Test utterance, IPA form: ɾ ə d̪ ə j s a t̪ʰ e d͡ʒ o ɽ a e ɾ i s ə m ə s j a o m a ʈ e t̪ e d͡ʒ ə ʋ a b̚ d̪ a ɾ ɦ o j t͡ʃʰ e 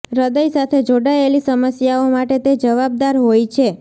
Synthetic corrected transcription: ɾ ə d̪ ə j s a t̪ʰ e d͡ʒ o ɽ a e l i s ə m ə s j a o m a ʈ e t̪ e d͡ʒ ə ʋ a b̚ d̪ a ɾ ɦ o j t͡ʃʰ e